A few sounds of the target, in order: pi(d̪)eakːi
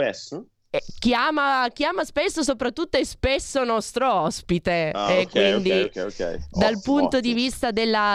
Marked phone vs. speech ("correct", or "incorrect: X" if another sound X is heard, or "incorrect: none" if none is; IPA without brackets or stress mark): incorrect: t̪